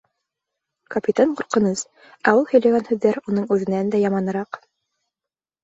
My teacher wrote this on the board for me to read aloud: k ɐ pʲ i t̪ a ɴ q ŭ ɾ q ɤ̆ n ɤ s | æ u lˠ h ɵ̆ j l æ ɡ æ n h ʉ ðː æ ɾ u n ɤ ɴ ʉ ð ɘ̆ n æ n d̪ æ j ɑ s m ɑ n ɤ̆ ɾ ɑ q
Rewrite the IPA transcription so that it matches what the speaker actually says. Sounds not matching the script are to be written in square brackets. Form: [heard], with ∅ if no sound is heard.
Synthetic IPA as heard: k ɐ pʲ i t̪ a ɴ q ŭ ɾ q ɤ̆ n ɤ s | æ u lˠ h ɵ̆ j l æ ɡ æ n h ʉ ðː æ ɾ u n ɤ ɴ ʉ ð ɘ̆ n æ n d̪ æ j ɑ [∅] m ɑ n ɤ̆ ɾ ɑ q